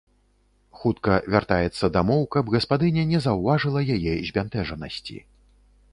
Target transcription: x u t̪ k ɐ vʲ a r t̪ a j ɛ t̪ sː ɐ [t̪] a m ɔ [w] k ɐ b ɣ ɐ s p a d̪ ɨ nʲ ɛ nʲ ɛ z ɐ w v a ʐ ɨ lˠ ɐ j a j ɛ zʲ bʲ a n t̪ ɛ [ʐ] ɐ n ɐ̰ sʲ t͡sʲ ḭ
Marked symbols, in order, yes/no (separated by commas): no, yes, yes